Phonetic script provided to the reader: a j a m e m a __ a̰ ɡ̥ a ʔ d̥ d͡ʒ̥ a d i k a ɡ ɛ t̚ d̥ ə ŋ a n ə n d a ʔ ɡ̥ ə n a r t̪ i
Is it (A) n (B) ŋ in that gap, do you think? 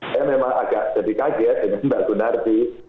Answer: B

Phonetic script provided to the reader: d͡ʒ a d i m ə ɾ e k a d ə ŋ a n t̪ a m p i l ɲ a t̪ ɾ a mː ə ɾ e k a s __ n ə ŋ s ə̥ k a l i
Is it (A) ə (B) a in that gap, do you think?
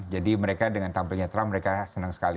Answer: A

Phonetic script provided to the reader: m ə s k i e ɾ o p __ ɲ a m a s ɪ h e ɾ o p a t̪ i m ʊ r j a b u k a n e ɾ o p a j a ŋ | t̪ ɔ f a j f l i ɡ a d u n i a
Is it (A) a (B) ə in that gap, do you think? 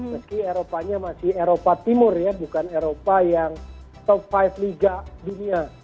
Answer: A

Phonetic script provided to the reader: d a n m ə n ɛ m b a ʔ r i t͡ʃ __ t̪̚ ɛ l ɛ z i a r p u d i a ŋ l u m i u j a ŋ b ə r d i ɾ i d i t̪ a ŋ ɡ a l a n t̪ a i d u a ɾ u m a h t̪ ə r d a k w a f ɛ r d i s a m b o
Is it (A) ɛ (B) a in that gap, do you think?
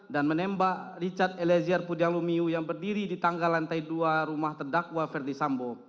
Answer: B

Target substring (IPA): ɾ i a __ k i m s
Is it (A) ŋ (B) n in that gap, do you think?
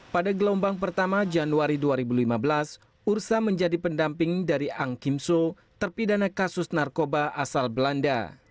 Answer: A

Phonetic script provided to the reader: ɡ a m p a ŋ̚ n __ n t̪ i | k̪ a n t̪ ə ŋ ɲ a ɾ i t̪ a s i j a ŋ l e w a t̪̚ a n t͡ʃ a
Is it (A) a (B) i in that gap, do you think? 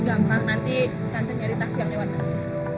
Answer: A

